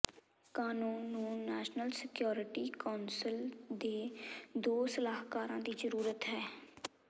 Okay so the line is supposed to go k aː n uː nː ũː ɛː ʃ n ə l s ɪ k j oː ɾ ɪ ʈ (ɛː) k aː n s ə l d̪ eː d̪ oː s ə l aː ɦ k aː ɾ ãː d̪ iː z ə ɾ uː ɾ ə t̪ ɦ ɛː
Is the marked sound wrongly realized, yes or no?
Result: yes